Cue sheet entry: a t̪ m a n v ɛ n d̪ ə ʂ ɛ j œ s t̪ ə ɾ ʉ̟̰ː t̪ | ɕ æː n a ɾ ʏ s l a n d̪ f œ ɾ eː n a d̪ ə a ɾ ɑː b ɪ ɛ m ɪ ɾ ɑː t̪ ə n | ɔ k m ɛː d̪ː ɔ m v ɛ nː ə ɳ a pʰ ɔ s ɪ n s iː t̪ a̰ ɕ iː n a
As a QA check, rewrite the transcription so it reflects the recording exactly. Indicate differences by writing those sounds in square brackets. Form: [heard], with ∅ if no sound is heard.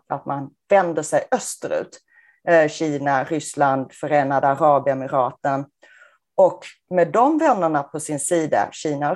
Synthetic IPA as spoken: a t̪ m a n v ɛ n d̪ ə ʂ ɛ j œ s t̪ ə ɾ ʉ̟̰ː t̪ | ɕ [iː] n a ɾ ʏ s l a n d̪ f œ ɾ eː n a d̪ ə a ɾ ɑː b ɪ ɛ m ɪ ɾ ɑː t̪ ə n | ɔ k m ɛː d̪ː ɔ m v ɛ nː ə ɳ a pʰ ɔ s ɪ n s iː [d̪] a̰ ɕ iː n a